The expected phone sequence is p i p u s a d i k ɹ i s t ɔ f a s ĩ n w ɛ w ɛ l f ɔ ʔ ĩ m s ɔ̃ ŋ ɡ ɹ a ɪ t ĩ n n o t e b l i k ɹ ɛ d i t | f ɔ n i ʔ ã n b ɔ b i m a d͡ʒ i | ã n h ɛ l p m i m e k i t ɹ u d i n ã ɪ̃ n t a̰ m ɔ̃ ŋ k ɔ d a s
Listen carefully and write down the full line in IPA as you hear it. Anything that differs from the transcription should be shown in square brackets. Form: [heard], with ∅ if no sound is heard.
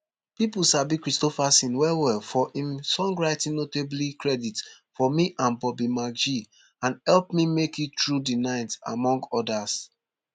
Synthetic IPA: p i p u s a [b] i k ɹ i s t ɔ f a s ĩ n w ɛ w ɛ l f ɔ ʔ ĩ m s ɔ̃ ŋ ɡ ɹ a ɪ t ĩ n n o t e b l i k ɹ ɛ d i t | f ɔ [m] i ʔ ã n b ɔ b i m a d͡ʒ i | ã n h ɛ l p m i m e k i t ɹ u d i n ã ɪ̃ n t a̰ m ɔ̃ ŋ [ɡ] ɔ d a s